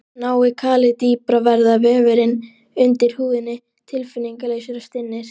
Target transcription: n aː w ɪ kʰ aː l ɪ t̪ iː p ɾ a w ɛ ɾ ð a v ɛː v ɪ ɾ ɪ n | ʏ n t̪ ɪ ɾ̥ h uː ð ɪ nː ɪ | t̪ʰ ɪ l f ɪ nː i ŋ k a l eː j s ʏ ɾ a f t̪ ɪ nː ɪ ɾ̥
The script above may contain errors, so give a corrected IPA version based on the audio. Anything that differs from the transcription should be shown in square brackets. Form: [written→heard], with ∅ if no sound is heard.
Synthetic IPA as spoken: n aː w ɪ kʰ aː l ɪ t̪ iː p ɾ a [w→v] ɛ ɾ ð a v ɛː v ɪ ɾ ɪ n | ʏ n t̪ ɪ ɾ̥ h uː ð ɪ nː ɪ | t̪ʰ ɪ l f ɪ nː i ŋ k a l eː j s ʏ ɾ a [f→s] t̪ ɪ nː ɪ ɾ̥

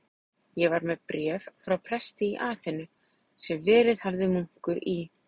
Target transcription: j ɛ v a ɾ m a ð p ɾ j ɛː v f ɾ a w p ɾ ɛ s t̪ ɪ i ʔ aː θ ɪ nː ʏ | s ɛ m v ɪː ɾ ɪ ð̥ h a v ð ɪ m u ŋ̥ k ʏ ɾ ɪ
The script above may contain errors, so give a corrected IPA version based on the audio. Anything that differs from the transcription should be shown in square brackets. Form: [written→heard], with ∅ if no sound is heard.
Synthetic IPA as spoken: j ɛ v a ɾ m [a→ɛ] ð p ɾ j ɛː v f ɾ a w [p→pʰ] ɾ ɛ s t̪ ɪ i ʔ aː θ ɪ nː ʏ | s ɛ m v ɪː ɾ ɪ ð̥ h a v ð ɪ m u ŋ̥ k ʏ ɾ [ɪ→i]

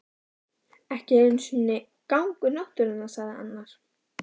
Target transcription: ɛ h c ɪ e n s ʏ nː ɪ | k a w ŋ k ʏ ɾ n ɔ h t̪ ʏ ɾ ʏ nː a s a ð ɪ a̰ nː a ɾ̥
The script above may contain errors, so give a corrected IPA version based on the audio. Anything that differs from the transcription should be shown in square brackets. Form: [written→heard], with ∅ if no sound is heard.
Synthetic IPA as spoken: ɛ h c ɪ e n s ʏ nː ɪ | k a w ŋ k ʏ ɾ n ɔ h t̪ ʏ ɾ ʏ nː a s a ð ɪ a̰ nː a ɾ̥

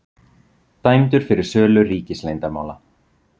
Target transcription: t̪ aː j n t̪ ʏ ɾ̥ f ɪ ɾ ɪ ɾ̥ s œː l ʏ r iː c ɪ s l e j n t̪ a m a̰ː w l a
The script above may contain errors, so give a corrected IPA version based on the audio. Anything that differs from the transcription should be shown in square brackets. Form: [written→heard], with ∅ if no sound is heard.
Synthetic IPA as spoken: t̪ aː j [n→m] t̪ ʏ ɾ̥ f ɪ ɾ ɪ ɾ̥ s œː l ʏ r iː c ɪ s l e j n t̪ a m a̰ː w l a

